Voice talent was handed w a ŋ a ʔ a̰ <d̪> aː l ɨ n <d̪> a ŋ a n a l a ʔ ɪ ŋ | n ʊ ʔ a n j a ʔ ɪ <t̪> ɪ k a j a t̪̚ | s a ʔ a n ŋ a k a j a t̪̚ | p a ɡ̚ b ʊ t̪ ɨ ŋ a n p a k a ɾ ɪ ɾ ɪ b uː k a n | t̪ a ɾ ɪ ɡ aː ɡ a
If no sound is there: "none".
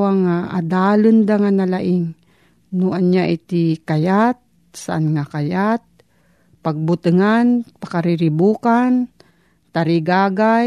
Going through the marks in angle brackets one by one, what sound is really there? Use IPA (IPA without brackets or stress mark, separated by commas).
d̪, d̪, t̪